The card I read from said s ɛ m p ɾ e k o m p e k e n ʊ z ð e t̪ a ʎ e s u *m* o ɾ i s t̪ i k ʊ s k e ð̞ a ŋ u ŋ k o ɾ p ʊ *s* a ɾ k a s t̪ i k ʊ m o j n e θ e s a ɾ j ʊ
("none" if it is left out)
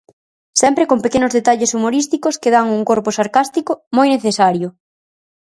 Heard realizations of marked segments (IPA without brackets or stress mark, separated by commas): m, s